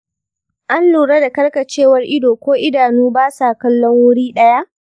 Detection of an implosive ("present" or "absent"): present